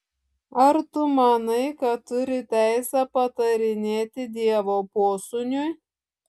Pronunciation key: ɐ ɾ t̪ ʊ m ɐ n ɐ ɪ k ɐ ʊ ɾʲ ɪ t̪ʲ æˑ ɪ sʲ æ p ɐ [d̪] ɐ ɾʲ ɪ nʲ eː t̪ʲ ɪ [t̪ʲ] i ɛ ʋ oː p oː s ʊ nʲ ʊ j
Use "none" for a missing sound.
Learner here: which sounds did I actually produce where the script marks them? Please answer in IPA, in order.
t̪, d̪ʲ

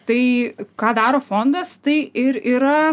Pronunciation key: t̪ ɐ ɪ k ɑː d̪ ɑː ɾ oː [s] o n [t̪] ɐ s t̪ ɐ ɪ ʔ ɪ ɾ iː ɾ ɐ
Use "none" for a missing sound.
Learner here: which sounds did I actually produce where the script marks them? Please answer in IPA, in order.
f, d̪

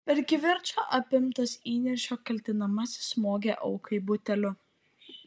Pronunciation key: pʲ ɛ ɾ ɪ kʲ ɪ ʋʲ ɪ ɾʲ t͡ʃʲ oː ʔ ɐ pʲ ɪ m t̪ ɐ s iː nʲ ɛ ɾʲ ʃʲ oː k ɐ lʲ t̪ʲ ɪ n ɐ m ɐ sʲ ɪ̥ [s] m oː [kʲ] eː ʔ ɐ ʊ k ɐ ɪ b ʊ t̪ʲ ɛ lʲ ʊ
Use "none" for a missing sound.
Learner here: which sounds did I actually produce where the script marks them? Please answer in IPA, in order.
s, ɡʲ

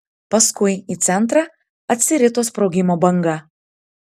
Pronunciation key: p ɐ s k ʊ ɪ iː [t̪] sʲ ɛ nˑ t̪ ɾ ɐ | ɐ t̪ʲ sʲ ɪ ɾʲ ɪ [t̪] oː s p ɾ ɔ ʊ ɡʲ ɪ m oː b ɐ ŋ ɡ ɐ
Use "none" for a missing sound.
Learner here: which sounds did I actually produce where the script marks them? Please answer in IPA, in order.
t̪, t̪

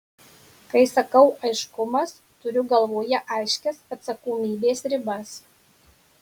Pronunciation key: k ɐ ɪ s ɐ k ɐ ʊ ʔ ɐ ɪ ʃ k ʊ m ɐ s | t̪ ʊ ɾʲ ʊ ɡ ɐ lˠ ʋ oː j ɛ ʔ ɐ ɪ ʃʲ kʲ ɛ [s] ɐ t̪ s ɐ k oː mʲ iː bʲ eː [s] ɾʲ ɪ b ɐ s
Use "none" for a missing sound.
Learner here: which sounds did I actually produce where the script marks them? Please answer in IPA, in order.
s, s

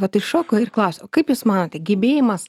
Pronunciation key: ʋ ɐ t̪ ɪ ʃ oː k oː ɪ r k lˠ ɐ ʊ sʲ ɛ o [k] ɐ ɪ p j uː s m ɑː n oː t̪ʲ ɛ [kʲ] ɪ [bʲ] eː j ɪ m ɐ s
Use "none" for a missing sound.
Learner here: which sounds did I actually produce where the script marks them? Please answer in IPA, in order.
k, ɡʲ, bʲ

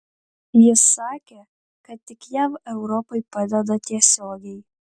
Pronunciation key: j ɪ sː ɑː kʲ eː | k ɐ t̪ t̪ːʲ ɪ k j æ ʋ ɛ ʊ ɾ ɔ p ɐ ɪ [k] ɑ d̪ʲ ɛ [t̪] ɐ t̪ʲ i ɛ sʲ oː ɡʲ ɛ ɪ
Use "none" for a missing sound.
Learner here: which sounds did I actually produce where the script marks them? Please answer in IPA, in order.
p, d̪

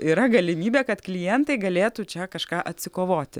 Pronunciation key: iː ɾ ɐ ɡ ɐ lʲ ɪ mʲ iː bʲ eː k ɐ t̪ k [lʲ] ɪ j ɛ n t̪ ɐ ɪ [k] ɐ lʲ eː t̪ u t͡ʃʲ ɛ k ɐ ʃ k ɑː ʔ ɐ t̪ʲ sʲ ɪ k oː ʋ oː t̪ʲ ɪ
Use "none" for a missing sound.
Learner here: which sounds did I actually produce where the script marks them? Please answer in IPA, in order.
lʲ, ɡ

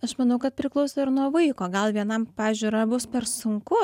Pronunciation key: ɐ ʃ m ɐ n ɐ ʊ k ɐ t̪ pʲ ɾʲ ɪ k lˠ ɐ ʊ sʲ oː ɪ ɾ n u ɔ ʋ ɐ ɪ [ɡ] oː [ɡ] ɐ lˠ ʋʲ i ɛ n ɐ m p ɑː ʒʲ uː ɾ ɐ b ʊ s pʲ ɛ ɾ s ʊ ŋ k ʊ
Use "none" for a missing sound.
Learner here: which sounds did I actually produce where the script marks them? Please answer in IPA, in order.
k, ɡ

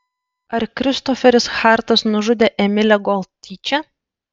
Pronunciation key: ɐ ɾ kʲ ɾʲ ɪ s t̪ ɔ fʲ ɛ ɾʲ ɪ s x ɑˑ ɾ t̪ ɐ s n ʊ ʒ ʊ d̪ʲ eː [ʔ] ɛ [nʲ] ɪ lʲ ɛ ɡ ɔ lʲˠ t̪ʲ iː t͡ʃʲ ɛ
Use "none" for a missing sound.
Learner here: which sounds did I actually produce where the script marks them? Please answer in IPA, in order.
ʔ, mʲ

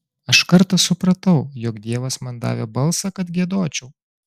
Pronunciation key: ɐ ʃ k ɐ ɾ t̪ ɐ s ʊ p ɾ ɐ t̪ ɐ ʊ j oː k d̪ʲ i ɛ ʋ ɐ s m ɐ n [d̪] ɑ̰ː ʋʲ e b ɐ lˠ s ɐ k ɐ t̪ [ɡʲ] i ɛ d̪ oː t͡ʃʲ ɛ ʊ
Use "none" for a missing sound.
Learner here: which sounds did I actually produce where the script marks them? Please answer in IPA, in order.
d̪, ɡʲ

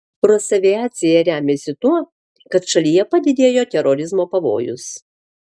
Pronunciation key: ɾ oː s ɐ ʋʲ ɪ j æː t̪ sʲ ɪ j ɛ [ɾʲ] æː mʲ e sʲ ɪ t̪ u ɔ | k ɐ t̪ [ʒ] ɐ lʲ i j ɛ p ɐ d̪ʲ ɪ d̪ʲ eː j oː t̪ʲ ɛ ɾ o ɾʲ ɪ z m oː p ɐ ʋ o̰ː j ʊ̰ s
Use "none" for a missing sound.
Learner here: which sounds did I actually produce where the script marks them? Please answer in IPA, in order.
ɾʲ, ʃ

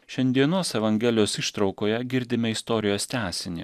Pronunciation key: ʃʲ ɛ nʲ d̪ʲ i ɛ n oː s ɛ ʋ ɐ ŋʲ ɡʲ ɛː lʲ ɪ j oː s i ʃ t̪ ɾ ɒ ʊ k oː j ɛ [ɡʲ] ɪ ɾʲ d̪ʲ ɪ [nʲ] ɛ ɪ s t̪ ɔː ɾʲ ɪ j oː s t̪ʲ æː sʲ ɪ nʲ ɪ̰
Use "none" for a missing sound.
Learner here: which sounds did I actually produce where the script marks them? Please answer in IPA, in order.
ɡʲ, mʲ

